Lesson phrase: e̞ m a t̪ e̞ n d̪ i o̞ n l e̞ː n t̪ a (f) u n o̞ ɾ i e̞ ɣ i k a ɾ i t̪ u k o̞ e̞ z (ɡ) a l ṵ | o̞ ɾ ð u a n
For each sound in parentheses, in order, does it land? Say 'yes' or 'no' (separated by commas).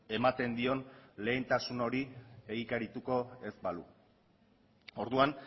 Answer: no, no